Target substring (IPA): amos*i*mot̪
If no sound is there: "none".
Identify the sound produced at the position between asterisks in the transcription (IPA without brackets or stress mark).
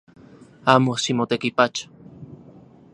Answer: i